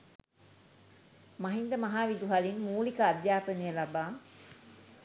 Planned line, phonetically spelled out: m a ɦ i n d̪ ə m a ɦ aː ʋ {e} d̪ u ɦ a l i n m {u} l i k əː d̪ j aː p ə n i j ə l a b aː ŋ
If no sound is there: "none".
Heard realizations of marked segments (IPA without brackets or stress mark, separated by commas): i, uː